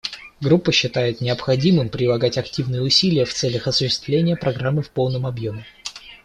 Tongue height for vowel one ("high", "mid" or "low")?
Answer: high